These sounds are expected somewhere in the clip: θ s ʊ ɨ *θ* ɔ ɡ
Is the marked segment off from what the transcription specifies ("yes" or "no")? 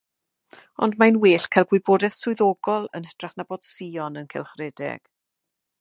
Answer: yes